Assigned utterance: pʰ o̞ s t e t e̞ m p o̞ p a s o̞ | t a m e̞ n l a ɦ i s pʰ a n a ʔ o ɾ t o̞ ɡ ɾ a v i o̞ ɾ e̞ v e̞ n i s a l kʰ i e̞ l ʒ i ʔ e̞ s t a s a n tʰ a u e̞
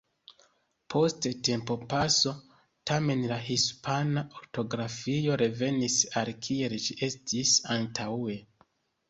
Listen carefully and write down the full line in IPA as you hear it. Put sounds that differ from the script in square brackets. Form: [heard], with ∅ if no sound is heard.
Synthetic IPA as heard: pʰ o̞ s t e t e̞ m p o̞ p a s o̞ | t a m e̞ n l a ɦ i s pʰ a n a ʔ o ɾ t o̞ ɡ ɾ a [f] i o̞ ɾ e̞ v e̞ n i s a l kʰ i e̞ l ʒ i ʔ e̞ s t [i] s a n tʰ a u e̞